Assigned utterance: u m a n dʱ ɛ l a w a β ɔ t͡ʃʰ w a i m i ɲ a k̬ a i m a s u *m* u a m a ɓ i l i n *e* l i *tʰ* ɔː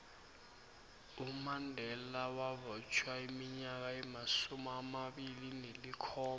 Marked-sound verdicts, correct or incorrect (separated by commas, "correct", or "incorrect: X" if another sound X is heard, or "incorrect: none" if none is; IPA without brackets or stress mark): correct, correct, incorrect: kʰ